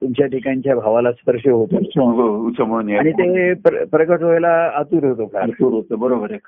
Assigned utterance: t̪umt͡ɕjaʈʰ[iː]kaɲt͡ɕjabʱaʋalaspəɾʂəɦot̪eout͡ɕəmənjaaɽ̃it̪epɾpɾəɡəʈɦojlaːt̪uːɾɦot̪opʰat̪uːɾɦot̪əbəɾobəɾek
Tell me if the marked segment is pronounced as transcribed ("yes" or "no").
no